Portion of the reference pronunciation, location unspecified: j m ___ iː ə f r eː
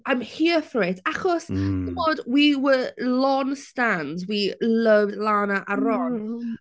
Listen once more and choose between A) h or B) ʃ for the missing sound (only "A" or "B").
A